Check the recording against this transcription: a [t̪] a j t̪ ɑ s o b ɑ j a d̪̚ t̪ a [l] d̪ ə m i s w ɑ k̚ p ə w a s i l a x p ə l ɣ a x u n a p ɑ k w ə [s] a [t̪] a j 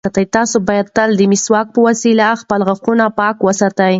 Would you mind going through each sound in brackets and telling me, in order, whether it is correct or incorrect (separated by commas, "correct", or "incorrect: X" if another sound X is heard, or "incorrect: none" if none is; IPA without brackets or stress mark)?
correct, correct, correct, correct